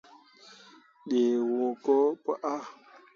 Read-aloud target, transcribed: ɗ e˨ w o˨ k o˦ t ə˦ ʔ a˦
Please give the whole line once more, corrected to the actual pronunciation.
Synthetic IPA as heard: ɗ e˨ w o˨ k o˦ p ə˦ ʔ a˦